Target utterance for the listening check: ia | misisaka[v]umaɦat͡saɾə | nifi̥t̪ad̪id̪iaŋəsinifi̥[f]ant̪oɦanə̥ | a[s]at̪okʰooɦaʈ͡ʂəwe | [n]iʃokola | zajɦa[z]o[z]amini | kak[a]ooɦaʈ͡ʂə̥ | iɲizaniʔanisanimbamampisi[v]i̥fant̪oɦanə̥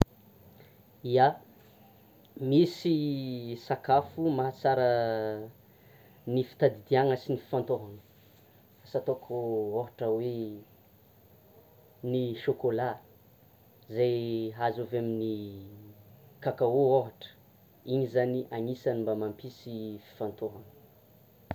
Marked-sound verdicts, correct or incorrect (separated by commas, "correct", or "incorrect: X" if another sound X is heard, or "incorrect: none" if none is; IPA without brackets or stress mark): incorrect: f, correct, correct, correct, correct, incorrect: v, correct, incorrect: f